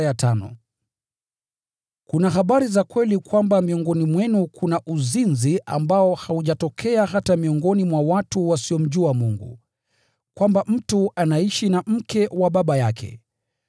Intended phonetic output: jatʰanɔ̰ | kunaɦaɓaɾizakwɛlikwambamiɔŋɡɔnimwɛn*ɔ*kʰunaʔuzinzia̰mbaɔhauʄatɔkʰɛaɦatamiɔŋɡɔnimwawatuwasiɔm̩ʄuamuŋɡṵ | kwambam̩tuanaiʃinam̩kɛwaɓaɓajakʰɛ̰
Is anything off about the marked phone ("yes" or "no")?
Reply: yes